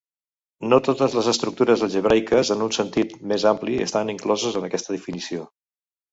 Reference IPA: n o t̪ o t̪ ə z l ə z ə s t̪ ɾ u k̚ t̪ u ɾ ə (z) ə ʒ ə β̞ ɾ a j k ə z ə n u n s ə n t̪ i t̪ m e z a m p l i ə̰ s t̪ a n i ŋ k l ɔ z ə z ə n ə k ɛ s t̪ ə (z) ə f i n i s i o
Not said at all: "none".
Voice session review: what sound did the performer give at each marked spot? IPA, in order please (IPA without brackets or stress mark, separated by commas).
z, ð